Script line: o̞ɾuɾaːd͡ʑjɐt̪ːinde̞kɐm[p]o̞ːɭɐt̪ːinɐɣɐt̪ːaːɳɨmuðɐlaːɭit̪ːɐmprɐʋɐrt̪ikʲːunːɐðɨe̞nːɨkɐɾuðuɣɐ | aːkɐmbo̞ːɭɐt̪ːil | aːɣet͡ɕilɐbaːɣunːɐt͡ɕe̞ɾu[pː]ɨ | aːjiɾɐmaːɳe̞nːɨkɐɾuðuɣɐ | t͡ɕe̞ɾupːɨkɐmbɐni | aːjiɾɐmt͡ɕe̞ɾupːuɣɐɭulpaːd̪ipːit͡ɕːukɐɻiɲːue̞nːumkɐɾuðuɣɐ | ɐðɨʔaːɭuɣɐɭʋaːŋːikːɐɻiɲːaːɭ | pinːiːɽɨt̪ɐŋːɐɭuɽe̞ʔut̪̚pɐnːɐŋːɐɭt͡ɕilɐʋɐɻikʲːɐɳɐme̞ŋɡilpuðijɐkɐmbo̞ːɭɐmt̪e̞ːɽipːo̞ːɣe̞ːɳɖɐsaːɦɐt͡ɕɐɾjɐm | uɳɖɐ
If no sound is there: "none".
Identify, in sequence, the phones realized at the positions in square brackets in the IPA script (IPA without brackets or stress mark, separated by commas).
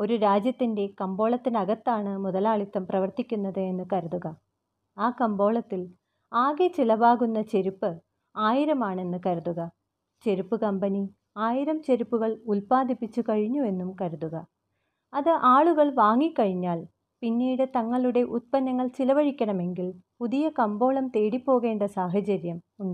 b, pː